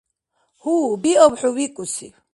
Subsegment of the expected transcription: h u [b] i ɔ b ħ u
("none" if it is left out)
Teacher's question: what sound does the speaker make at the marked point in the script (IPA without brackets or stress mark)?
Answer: b